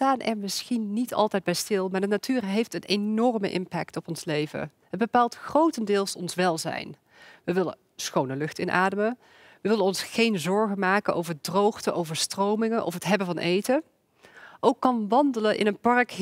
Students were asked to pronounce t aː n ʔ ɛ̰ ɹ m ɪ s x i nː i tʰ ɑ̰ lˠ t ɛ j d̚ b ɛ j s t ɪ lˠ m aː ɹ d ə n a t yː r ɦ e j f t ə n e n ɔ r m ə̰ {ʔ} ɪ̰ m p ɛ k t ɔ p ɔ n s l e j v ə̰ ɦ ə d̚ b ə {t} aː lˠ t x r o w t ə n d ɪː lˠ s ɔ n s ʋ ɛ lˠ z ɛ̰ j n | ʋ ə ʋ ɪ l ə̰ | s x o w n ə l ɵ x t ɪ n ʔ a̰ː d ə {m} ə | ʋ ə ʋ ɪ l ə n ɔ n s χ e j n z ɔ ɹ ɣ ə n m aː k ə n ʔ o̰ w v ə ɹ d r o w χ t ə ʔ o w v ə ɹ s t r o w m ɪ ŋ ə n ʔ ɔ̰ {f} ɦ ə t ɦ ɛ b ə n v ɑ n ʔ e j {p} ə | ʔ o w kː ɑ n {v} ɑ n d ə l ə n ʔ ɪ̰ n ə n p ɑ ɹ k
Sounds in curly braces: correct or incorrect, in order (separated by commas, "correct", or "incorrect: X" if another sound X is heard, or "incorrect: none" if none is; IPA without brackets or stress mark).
correct, incorrect: p, correct, correct, incorrect: t, incorrect: ʋ